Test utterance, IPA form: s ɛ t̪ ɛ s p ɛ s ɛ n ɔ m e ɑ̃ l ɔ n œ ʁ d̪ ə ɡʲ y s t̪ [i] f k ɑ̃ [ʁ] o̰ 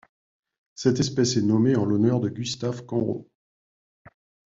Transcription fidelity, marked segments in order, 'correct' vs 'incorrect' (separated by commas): incorrect, correct